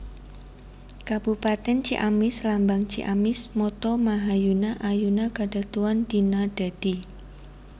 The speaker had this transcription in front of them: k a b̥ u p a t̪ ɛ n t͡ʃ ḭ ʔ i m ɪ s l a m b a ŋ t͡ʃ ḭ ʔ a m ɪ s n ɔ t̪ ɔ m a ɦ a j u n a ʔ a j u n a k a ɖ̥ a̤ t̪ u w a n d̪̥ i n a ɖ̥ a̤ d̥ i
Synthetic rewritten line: k a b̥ u p a t̪ ɛ n t͡ʃ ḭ ʔ a m ɪ s l a m b a ŋ t͡ʃ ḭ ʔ a m ɪ s m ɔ t̪ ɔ m a ɦ a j u n a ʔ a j u n a k a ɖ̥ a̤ t̪ u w a n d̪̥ i n a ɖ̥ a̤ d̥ i